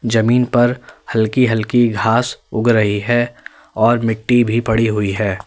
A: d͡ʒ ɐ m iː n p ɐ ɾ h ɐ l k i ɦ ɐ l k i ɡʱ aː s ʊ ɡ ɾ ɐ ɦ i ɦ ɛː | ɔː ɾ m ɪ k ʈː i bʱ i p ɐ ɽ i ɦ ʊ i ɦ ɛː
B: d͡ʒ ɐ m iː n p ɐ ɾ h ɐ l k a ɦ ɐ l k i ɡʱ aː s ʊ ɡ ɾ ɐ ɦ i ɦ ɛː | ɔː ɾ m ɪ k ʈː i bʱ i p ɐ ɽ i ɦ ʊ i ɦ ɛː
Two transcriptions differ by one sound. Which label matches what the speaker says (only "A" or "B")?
A